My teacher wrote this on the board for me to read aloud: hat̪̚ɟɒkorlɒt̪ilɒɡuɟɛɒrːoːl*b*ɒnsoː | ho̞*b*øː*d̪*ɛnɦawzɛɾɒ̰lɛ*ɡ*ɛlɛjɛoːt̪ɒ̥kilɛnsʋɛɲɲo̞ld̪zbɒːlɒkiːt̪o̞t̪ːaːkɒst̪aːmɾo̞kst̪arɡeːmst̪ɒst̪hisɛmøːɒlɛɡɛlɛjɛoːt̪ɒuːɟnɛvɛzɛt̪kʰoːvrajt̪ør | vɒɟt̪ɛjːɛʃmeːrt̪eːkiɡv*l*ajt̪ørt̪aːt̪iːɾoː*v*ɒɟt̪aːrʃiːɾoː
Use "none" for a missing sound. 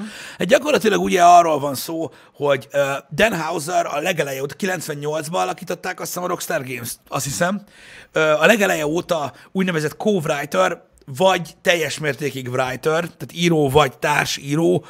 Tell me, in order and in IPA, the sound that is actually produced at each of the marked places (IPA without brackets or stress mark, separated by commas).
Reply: v, ɟ, d̪, ɡ, r, v